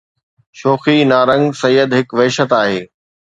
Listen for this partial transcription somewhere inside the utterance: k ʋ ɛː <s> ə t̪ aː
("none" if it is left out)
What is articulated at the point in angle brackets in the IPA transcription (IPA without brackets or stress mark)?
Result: ʃ